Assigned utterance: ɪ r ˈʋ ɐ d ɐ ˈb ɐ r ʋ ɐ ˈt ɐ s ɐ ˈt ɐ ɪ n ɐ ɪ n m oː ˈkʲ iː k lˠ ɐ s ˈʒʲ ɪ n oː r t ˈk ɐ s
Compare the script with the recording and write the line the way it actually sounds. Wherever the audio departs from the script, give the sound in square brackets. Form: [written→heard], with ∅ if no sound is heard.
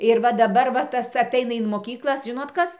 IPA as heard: ɪ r ˈʋ ɐ d ɐ ˈb ɐ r ʋ ɐ ˈt ɐ s ɐ ˈt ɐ ɪ n ɐ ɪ n m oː ˈkʲ iː k lˠ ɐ s ˈʒʲ ɪ n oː [r→∅] t ˈk ɐ s